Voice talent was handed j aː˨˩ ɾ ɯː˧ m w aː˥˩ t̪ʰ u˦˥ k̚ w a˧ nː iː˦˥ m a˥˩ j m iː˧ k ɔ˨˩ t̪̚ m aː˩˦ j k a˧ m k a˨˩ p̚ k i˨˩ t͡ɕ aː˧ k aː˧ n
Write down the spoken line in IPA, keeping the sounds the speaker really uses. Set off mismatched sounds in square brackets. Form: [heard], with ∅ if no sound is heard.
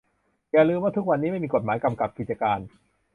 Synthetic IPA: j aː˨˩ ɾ ɯː˧ m w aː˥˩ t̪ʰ u˦˥ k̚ w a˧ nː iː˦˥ m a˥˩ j m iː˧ k [o˨˩] t̪̚ m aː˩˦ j k a˧ m k a˨˩ p̚ k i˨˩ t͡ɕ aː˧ k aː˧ n